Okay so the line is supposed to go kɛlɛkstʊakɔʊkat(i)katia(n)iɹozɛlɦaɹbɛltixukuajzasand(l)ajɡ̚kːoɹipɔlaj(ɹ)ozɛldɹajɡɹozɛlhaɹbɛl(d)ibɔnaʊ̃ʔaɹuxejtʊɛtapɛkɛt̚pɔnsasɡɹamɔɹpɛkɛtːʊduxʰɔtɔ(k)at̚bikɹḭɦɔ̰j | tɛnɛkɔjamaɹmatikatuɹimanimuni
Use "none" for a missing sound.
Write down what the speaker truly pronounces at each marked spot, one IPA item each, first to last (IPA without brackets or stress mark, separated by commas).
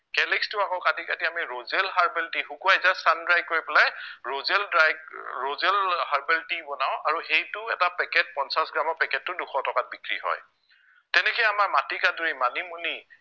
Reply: i, m, ɹ, ɹ, t, k